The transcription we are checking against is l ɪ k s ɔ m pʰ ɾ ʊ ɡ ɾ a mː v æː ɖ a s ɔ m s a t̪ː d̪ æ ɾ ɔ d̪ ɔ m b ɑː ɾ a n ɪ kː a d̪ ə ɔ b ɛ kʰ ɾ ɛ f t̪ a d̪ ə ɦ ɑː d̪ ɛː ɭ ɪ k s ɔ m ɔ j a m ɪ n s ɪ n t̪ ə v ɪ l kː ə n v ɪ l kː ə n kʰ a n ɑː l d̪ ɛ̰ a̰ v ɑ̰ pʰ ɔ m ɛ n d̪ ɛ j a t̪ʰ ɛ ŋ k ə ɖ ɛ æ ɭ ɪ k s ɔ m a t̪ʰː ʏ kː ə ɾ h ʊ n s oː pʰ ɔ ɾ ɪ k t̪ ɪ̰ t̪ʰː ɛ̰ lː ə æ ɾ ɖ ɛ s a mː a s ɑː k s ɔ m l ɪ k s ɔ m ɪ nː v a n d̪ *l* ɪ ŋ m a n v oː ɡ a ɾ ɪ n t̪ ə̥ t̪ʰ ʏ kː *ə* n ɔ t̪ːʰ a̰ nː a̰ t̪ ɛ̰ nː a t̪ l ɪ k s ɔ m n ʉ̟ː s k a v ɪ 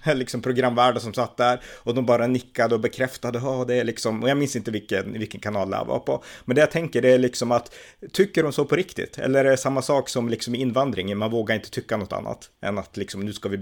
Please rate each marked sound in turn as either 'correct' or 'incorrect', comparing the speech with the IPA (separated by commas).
incorrect, incorrect